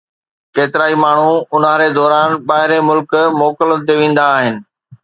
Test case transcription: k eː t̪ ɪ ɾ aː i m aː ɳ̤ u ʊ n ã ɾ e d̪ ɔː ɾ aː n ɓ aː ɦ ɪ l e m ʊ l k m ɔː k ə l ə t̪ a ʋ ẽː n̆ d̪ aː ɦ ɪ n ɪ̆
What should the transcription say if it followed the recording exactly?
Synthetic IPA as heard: k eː t̪ ɪ ɾ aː i m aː ɳ̤ u ʊ n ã ɾ e d̪ ɔː ɾ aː n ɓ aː ɦ ɪ ɾ e m ʊ l k m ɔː k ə l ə t̪ e ʋ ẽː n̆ d̪ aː ɦ ɪ n ɪ̆